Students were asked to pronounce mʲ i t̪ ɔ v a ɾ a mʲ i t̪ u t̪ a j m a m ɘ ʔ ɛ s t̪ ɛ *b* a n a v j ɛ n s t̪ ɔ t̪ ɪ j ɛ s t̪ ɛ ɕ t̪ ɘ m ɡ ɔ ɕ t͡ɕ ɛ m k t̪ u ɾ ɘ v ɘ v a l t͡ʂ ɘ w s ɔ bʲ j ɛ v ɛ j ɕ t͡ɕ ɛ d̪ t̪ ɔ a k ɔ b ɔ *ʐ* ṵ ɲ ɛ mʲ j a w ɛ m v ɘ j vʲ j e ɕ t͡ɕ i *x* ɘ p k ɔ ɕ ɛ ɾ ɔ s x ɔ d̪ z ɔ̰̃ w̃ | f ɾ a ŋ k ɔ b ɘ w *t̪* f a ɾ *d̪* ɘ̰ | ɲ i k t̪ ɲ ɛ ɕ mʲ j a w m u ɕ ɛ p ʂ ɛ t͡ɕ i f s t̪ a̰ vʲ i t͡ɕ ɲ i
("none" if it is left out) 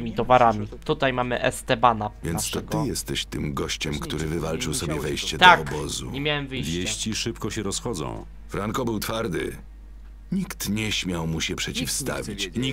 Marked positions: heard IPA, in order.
b, z, ʂ, t̪, d̪

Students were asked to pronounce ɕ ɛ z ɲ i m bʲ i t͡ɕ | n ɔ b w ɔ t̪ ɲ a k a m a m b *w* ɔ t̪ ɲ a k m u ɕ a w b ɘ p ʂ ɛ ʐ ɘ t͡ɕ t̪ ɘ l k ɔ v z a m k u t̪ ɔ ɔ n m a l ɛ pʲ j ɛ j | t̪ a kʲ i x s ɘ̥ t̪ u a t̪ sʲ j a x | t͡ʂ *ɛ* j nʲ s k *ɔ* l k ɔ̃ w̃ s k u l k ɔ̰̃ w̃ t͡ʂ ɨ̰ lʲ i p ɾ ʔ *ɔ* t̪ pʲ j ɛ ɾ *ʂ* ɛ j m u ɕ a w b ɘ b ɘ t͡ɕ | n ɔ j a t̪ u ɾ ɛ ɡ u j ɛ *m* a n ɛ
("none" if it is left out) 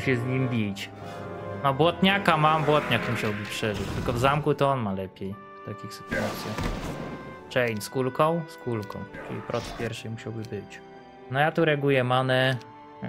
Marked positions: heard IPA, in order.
w, ɛ, u, ɔ, ʂ, m

